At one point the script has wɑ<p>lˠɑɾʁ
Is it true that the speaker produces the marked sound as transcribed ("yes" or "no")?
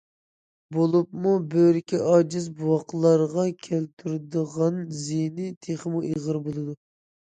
no